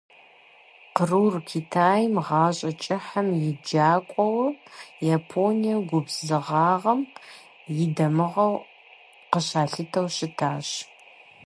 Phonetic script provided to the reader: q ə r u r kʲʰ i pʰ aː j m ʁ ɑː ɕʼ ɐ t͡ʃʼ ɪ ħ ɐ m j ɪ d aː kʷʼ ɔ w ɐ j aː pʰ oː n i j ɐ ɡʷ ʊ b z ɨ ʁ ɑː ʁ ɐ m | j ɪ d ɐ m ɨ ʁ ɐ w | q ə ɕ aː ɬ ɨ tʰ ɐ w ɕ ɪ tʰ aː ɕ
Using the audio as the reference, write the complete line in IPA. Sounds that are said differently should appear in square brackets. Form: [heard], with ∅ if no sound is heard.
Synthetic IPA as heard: q ə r u r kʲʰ i [tʰ] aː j m ʁ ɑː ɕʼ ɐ t͡ʃʼ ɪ ħ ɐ m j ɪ [d͡ʒ] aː kʷʼ ɔ w ɐ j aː pʰ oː n i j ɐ ɡʷ ʊ b z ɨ ʁ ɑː ʁ ɐ m | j ɪ d ɐ m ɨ ʁ ɐ w | q ə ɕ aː ɬ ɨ tʰ ɐ w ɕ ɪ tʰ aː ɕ